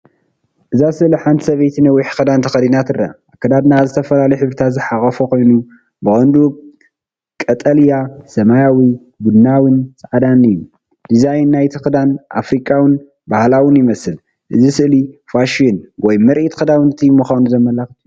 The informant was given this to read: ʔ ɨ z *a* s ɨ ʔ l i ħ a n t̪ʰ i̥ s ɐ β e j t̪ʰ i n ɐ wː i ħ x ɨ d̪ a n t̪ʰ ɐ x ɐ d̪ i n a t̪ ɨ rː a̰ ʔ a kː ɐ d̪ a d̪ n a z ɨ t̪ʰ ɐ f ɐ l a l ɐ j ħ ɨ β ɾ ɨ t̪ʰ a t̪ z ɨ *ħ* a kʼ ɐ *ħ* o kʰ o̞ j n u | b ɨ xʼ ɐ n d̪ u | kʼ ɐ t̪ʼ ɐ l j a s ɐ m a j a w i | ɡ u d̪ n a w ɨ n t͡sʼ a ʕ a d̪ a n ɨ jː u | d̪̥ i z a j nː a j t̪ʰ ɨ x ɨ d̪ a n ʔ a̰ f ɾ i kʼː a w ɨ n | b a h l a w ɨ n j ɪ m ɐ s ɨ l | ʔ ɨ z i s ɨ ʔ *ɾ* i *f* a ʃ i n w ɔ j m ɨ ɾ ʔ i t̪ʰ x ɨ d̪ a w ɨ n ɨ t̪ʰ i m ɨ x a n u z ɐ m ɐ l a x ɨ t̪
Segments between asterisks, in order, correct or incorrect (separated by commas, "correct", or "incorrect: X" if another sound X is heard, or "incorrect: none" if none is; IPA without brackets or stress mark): correct, correct, incorrect: f, incorrect: l, correct